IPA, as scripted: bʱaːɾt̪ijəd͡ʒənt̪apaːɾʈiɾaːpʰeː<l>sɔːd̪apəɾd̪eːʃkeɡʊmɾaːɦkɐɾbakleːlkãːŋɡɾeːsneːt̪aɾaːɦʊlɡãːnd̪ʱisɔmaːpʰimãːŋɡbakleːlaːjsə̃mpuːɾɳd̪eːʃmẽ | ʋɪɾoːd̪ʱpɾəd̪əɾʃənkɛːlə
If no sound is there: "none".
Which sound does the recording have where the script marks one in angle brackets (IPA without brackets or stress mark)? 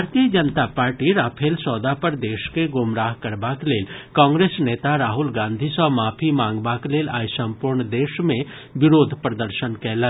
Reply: l